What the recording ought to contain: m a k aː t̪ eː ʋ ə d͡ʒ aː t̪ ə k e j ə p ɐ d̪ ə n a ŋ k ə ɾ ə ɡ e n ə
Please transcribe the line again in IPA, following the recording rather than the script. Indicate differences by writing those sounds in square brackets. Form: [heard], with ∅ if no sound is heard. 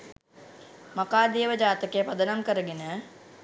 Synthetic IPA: m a k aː [d̪] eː ʋ ə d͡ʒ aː t̪ ə k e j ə p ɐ d̪ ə n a [m] k ə ɾ ə ɡ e n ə